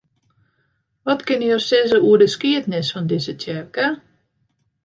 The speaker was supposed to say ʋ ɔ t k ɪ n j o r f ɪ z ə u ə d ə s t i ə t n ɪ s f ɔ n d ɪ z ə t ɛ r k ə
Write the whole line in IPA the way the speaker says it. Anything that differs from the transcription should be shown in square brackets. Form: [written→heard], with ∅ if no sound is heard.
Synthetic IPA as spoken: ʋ ɔ t k ɪ n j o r [f→s] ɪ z ə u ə d ə s [t→k] i ə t n ɪ s f ɔ n d ɪ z ə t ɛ r k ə